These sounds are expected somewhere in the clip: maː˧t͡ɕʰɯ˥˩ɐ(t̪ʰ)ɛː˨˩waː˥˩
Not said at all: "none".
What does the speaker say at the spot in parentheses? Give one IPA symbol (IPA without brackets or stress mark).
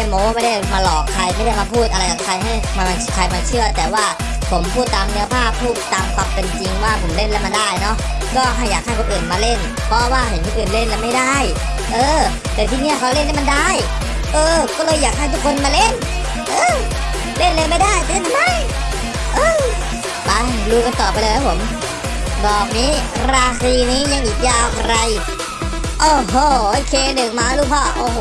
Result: t̪